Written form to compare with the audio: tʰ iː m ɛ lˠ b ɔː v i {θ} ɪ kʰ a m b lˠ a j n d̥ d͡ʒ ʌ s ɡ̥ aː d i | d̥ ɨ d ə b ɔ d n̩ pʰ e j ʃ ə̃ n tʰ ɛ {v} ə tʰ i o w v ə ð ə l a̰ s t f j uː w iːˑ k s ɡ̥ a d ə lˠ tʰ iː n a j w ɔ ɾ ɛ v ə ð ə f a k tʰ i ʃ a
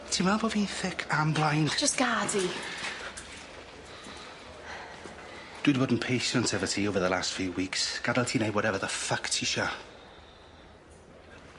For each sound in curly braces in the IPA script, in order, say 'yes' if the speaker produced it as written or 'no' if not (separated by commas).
yes, yes